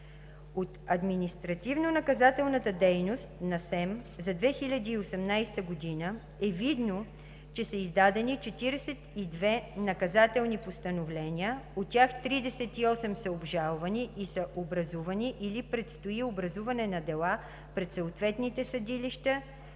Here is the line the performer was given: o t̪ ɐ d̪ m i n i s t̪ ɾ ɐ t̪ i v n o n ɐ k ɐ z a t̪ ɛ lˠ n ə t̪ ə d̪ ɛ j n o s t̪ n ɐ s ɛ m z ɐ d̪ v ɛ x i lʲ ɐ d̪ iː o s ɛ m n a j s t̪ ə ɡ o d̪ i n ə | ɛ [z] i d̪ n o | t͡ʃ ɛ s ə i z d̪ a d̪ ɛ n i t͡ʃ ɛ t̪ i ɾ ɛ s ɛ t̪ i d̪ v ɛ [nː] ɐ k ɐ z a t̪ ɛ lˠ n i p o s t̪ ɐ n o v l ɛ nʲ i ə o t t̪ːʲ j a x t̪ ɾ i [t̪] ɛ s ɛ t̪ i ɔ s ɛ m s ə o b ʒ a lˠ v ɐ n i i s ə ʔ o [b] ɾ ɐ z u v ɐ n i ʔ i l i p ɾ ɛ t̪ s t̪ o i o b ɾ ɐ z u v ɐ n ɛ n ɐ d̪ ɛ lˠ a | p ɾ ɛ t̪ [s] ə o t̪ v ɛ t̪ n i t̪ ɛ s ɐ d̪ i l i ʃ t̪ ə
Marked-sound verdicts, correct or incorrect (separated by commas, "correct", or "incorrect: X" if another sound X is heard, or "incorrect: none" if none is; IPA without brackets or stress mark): incorrect: v, incorrect: n, incorrect: d̪, correct, correct